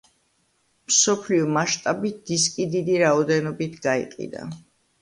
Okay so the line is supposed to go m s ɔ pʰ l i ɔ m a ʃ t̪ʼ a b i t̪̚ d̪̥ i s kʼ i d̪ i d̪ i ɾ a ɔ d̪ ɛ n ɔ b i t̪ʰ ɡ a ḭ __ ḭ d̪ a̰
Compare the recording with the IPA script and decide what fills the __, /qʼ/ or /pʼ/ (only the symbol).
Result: qʼ